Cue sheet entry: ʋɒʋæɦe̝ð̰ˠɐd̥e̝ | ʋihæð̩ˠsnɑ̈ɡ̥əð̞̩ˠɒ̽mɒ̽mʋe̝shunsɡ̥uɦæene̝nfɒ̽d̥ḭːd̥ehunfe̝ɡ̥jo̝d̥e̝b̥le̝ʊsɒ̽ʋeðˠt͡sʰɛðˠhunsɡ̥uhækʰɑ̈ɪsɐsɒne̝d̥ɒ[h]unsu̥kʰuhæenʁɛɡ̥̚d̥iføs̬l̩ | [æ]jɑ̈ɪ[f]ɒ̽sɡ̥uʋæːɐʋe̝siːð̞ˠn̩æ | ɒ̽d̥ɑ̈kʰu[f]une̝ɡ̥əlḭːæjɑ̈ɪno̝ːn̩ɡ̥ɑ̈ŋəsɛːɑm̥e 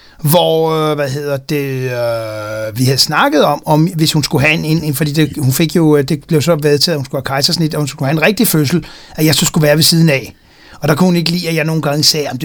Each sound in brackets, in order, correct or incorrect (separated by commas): correct, correct, incorrect, incorrect